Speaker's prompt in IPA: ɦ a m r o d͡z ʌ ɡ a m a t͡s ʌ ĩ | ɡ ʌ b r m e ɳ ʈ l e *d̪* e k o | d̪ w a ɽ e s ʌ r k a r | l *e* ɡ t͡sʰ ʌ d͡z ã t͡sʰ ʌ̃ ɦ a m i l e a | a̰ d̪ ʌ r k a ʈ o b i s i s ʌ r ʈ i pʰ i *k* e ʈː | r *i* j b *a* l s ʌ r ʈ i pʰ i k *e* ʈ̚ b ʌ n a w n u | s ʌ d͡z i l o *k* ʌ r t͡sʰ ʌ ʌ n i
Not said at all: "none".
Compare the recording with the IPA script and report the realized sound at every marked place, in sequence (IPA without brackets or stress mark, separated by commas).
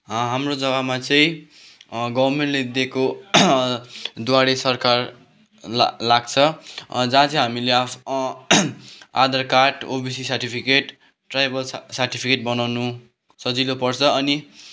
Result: d̪, a, k, a, ʌ, e, p